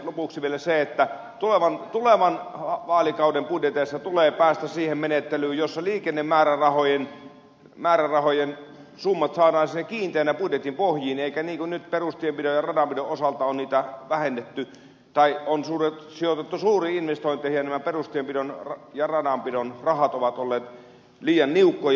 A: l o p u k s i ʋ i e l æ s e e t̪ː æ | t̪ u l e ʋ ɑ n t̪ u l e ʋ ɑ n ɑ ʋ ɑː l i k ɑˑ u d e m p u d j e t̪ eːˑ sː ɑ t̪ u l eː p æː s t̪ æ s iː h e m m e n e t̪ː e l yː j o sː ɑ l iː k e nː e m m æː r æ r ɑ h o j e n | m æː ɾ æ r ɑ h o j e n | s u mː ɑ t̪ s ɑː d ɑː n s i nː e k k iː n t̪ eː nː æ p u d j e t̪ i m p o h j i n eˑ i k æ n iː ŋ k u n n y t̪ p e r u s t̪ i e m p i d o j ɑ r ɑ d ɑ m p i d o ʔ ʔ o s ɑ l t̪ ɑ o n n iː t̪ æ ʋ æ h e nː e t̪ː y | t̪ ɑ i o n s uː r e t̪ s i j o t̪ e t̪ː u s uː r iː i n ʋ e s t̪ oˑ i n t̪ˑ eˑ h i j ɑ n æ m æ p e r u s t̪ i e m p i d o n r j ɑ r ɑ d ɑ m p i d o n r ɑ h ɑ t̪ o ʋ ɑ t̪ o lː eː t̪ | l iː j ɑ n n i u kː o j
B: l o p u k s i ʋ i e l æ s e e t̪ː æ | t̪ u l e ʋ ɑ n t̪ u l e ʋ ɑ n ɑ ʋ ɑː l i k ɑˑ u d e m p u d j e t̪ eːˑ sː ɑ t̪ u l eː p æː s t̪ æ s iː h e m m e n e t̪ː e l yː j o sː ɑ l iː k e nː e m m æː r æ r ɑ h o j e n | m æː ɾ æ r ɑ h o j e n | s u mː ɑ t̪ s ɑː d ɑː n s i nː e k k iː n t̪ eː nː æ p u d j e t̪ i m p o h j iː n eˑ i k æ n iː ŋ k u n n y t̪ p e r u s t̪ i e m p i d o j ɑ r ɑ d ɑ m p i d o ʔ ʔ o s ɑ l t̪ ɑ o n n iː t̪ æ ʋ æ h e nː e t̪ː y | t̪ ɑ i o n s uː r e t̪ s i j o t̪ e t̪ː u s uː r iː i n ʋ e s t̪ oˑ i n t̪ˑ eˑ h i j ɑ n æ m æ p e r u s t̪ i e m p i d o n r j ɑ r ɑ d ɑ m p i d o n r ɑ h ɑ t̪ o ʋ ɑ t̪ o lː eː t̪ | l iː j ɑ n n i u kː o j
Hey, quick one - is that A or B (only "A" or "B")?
B